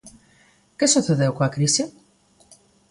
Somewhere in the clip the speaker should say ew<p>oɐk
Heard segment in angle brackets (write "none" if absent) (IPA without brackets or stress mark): k